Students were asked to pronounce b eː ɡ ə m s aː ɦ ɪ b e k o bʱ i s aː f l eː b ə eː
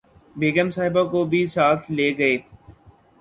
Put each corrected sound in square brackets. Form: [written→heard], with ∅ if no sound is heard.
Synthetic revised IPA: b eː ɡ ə m s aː ɦ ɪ b [e→a] k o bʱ i s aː f l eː [b→ɡ] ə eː